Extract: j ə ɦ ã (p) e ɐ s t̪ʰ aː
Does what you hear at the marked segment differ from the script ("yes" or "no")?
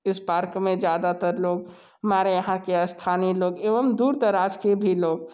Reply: yes